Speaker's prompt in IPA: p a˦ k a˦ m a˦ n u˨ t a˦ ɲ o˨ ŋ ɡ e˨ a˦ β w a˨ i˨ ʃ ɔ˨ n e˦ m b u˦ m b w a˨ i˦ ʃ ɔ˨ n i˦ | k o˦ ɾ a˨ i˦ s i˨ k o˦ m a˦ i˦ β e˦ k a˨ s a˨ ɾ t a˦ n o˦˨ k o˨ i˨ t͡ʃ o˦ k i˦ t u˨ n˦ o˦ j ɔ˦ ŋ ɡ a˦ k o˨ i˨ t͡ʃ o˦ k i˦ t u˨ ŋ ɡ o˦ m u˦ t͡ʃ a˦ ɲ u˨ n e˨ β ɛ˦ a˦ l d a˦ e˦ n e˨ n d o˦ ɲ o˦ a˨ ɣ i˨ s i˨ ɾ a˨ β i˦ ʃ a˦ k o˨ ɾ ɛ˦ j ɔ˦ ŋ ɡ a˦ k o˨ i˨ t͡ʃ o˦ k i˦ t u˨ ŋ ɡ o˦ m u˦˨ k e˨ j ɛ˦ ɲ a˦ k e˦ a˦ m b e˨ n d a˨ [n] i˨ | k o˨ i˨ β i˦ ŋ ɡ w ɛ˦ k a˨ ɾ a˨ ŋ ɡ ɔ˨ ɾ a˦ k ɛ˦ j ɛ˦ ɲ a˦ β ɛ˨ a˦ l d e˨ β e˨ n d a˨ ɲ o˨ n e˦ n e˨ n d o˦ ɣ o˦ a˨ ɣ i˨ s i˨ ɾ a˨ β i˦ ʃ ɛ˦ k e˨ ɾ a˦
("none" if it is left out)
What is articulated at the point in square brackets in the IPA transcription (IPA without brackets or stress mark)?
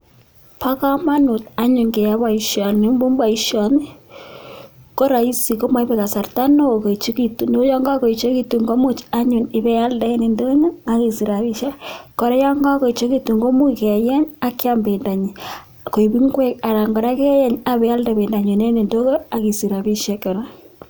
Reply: ɲ